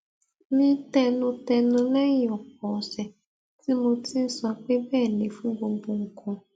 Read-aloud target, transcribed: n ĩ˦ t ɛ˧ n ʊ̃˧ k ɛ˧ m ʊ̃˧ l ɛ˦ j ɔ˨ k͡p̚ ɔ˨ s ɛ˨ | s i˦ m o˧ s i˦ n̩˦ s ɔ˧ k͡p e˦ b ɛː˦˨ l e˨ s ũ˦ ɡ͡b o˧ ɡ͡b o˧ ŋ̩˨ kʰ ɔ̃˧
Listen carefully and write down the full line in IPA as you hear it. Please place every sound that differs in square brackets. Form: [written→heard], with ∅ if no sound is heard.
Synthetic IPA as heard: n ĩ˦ t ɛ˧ n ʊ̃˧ [k→t] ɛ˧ [m→n] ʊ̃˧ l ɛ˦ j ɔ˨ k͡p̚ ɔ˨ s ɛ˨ | [s→t] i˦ m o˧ [s→t] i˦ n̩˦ s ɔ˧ k͡p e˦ b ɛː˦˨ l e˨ [s→f] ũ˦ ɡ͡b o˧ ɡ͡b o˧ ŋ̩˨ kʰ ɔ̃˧